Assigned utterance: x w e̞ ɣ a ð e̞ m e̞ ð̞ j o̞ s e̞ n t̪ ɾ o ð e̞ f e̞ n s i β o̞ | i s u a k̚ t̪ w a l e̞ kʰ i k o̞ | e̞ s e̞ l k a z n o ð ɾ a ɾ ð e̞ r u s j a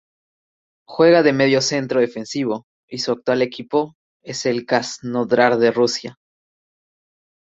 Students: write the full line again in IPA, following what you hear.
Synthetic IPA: x w e̞ ɣ a ð e̞ m e̞ ð̞ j o̞ s e̞ n t̪ ɾ o ð e̞ f e̞ n s i β o̞ | i s u a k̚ t̪ w a l e̞ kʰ i p o̞ | e̞ s e̞ l k a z n o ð ɾ a ɾ ð e̞ r u s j a